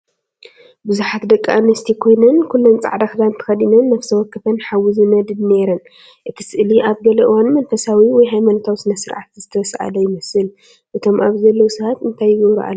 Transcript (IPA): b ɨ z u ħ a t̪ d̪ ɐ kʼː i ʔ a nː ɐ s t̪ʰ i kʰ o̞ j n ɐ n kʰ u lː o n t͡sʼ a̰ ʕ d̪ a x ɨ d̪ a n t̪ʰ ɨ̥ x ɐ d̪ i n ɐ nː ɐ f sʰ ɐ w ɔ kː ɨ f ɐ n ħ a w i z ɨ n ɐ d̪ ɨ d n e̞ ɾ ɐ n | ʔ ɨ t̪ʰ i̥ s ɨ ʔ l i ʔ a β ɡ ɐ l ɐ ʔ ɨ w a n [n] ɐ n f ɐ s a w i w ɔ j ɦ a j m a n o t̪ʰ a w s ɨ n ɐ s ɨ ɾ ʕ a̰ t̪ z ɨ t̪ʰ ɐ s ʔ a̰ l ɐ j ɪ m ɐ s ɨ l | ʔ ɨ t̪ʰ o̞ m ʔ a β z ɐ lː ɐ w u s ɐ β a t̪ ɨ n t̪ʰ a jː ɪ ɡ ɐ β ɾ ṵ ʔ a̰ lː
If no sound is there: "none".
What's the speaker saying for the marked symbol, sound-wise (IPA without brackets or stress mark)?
m